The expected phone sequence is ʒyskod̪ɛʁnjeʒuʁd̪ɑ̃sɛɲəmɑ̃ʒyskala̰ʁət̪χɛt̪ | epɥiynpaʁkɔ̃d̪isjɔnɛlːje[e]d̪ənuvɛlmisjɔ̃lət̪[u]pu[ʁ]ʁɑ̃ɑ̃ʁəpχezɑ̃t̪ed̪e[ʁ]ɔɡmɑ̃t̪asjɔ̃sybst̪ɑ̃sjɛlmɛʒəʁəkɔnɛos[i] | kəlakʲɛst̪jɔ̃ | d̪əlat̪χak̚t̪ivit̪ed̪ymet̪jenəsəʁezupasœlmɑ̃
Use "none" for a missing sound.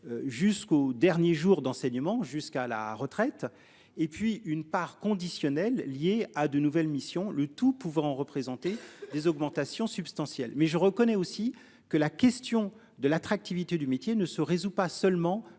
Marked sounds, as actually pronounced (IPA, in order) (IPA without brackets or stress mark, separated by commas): a, u, v, z, i